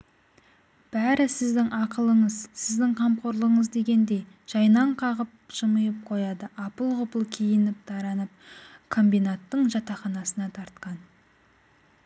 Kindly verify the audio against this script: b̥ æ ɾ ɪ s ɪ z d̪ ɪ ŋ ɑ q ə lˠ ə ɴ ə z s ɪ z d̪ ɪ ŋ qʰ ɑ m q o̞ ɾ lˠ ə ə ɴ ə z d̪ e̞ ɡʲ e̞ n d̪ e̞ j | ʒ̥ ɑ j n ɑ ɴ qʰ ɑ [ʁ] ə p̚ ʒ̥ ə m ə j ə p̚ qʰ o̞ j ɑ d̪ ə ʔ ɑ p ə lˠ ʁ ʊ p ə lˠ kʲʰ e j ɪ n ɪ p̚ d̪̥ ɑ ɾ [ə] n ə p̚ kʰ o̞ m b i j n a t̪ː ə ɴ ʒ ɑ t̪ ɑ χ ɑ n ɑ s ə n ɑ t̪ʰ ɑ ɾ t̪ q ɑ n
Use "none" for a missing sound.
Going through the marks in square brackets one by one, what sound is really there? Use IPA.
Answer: ʁ, ɑ

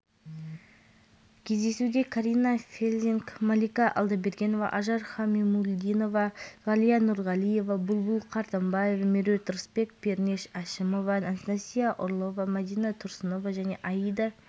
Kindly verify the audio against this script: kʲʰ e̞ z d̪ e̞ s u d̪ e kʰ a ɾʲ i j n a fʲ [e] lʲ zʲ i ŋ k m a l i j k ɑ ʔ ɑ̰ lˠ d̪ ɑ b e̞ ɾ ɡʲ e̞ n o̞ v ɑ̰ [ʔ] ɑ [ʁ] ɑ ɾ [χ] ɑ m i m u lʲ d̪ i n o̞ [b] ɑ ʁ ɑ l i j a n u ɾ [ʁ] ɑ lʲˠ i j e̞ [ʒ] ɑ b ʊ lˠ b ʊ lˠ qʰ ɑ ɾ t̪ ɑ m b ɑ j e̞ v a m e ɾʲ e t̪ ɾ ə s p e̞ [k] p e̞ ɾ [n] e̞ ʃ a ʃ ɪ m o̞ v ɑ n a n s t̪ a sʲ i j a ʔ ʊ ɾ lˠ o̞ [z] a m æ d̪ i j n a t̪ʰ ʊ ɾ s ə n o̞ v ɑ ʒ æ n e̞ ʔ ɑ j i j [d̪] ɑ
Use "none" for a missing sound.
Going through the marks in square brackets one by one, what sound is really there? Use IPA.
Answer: e, ʔ, ʒ, χ, v, ʁ, v, k, n, v, d̪

